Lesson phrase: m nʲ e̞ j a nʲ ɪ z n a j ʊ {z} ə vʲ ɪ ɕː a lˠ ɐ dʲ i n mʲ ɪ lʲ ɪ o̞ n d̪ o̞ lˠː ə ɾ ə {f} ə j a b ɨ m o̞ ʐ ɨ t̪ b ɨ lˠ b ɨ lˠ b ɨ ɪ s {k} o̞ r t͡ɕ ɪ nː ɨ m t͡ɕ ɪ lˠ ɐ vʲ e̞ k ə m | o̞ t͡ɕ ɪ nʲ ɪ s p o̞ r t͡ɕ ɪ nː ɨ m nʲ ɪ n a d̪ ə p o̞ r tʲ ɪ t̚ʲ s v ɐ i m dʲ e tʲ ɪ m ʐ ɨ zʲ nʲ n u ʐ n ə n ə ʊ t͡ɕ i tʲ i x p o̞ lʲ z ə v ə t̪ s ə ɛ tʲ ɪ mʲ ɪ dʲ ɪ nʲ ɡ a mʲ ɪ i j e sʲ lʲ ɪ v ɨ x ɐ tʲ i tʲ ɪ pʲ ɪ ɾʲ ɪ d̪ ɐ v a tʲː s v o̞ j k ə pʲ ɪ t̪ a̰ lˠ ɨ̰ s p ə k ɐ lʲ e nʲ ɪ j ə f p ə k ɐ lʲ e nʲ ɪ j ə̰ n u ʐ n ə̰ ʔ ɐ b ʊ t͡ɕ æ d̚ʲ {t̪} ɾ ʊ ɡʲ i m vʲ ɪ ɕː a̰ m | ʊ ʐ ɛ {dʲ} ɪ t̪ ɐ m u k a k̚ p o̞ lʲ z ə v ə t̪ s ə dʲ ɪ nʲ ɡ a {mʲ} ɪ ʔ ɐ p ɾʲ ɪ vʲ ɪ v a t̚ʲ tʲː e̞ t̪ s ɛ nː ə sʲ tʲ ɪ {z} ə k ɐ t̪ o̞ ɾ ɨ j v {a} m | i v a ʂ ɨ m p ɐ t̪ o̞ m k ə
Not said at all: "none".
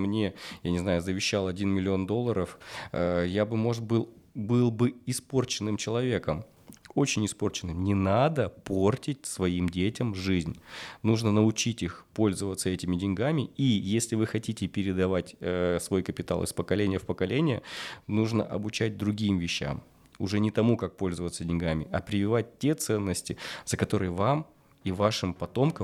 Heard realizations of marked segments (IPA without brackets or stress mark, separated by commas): z, f, p, d̪, nʲ, mʲ, z, a